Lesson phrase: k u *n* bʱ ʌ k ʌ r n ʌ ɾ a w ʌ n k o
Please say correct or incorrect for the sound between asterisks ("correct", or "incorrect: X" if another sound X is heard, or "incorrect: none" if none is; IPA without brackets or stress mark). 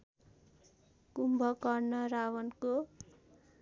incorrect: m